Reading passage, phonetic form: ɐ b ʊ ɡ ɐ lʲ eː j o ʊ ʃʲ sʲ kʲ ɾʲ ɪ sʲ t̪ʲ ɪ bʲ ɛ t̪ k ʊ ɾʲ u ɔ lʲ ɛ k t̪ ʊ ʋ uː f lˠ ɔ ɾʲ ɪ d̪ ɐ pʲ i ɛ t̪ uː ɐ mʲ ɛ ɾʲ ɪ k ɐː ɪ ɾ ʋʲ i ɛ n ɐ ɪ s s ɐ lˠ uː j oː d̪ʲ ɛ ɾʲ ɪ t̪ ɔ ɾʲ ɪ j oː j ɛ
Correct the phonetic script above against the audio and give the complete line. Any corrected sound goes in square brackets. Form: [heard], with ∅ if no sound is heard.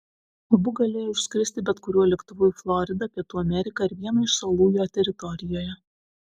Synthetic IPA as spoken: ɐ b ʊ ɡ ɐ lʲ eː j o ʊ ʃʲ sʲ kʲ ɾʲ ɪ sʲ t̪ʲ ɪ bʲ ɛ t̪ k ʊ ɾʲ u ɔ lʲ ɛ k t̪ ʊ ʋ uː f lˠ ɔ ɾʲ ɪ d̪ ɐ pʲ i ɛ t̪ uː ɐ mʲ ɛ ɾʲ ɪ k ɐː ɪ ɾ ʋʲ i ɛ n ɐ ɪ [ʃ] s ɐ lˠ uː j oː [t̪ʲ] ɛ ɾʲ ɪ t̪ ɔ ɾʲ ɪ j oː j ɛ